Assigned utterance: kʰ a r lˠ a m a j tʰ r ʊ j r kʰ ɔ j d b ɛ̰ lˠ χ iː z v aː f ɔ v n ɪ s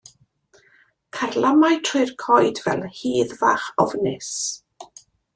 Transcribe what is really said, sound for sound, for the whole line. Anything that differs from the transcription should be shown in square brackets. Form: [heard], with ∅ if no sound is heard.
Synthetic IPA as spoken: kʰ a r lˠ a m a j tʰ r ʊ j r kʰ ɔ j d [v] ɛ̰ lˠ [h] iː [ð] v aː [χ] ɔ v n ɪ s